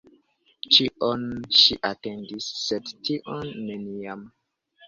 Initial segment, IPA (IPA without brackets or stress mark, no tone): t͡ʃ